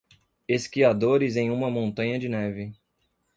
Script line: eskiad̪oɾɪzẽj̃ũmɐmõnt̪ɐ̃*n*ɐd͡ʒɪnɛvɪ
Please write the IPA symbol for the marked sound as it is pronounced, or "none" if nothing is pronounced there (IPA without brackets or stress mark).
ɲ